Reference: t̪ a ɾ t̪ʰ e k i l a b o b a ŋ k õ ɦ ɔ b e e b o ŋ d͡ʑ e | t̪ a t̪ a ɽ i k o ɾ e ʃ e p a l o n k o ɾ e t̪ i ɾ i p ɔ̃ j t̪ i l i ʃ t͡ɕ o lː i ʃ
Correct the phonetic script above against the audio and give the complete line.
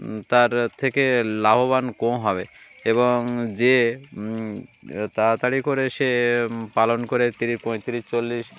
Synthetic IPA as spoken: t̪ a ɾ t̪ʰ e k e l a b o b a n k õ ɦ ɔ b e e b o ŋ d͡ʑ e | t̪ a t̪ a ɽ i k o ɾ e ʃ e p a l o n k o ɾ e t̪ i ɾ i p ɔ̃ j t̪ i ɾ i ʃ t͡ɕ o lː i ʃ